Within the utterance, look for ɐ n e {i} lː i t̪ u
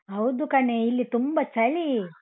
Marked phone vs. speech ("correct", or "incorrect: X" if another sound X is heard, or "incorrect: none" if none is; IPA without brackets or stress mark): correct